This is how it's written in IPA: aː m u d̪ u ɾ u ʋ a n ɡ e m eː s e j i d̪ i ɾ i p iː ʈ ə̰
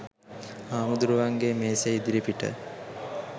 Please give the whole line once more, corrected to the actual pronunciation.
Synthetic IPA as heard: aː m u d̪ u ɾ u ʋ a ŋ ɡ e m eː s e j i d̪ i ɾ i p i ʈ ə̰